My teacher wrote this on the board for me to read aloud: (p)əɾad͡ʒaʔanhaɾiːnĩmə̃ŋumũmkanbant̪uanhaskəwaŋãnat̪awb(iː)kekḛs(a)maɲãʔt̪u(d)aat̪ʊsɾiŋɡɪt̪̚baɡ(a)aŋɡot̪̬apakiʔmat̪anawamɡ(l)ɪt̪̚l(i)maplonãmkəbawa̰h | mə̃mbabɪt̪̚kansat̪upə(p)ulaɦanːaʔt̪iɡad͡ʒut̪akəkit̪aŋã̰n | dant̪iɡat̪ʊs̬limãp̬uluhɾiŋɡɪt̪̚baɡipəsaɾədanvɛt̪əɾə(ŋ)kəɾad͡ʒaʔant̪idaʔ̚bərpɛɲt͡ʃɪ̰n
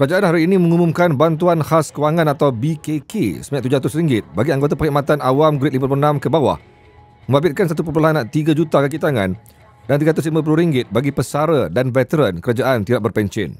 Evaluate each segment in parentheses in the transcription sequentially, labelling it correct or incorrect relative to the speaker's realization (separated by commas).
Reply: incorrect, incorrect, incorrect, incorrect, incorrect, incorrect, correct, correct, incorrect